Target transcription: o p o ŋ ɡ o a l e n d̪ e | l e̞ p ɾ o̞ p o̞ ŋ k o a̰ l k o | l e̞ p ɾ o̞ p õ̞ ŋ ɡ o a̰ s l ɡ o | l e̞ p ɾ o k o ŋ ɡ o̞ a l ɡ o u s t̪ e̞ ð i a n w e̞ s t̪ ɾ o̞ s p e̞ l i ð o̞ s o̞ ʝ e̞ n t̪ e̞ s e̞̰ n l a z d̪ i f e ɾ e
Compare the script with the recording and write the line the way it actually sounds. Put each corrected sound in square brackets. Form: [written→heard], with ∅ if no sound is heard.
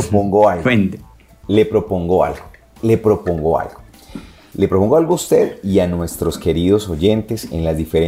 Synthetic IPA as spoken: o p o ŋ ɡ o a l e n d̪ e | l e̞ p ɾ o̞ p o̞ ŋ [k→ɡ] o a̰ l [k→ɡ] o | l e̞ p ɾ o̞ p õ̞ ŋ ɡ o a̰ [s→∅] l ɡ o | l e̞ p ɾ o [k→p] o ŋ ɡ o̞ a l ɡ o u s t̪ e̞ ð i a n w e̞ s t̪ ɾ o̞ s [p→k] e̞ [l→ɾ] i ð o̞ s o̞ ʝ e̞ n t̪ e̞ s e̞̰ n l a z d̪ i f e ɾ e